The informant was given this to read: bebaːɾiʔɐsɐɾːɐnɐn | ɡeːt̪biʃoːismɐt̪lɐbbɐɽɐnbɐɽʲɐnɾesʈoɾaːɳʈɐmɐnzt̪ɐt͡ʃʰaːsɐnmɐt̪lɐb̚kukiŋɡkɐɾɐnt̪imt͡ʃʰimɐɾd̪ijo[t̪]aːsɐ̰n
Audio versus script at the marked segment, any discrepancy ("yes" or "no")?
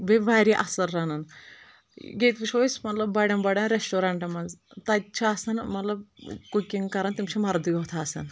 yes